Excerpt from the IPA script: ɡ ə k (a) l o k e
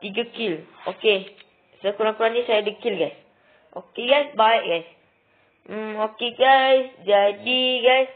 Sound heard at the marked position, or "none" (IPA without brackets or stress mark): i